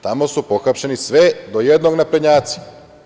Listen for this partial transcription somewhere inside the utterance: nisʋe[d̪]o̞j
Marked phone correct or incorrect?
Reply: correct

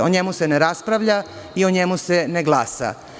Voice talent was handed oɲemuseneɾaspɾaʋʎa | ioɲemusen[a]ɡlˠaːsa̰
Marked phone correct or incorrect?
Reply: incorrect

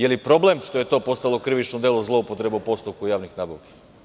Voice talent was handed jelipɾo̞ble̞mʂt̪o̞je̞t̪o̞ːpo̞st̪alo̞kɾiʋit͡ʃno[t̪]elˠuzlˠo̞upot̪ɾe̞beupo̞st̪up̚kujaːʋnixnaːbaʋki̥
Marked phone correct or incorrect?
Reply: incorrect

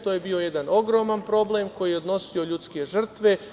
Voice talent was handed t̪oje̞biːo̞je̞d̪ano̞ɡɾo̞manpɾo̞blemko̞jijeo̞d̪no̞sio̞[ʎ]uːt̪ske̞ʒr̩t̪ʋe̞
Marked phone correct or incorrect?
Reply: correct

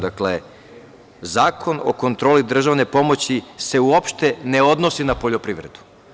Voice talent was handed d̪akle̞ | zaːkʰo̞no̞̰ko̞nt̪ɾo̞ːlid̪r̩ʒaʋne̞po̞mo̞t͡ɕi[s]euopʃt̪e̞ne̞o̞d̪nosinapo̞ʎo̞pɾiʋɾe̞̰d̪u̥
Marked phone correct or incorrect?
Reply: correct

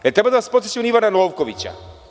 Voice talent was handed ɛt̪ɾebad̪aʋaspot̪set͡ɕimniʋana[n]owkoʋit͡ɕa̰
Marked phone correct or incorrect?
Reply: correct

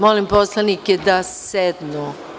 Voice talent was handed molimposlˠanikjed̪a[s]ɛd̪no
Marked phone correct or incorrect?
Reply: correct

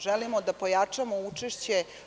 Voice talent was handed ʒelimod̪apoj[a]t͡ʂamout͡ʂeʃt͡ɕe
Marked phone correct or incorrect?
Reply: correct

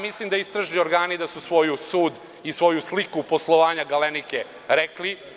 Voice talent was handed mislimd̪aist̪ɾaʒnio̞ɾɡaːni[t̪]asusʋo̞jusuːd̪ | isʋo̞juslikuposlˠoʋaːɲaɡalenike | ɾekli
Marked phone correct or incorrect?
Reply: incorrect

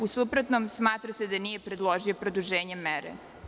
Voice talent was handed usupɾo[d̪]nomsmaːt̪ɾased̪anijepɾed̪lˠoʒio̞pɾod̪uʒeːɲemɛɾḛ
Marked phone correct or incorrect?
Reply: incorrect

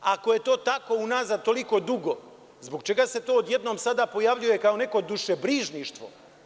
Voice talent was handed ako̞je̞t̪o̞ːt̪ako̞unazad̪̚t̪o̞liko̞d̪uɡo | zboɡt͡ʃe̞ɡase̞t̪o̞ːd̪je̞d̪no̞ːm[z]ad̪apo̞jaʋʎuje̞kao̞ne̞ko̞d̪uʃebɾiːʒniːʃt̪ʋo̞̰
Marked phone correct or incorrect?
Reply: incorrect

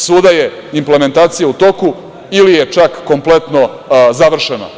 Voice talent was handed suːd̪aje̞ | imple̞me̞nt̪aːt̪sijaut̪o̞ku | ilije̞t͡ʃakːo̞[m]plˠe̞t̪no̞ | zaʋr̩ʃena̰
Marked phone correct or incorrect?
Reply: correct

